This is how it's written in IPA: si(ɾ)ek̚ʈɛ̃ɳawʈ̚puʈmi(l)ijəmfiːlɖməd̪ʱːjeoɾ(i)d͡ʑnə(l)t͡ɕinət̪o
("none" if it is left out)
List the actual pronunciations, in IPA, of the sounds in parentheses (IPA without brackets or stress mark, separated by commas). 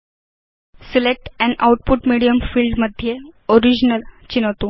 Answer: l, ɽ, i, l